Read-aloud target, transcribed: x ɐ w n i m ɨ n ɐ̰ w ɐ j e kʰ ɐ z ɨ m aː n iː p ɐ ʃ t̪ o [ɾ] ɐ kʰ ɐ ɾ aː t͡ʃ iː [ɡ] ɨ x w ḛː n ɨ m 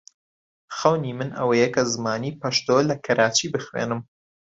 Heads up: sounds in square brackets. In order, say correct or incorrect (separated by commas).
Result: incorrect, incorrect